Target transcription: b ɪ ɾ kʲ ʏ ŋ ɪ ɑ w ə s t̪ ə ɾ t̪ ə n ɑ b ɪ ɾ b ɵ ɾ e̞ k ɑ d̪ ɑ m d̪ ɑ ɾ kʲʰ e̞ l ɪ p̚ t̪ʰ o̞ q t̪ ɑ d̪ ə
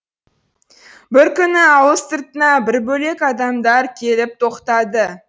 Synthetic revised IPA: b ɪ ɾ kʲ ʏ n ɪ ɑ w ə s t̪ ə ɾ t̪ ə n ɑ b ɪ ɾ b ɵ l e̞ k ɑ d̪ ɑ m d̪ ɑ ɾ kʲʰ e̞ l ɪ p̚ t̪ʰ o̞ q t̪ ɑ d̪ ə